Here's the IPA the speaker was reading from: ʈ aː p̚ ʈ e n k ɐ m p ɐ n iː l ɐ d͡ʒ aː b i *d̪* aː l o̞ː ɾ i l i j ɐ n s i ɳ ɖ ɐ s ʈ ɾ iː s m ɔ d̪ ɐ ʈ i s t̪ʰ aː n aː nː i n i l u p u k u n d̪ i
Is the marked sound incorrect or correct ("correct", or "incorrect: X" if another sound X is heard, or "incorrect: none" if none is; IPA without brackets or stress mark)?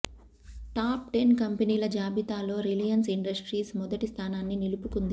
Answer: incorrect: t̪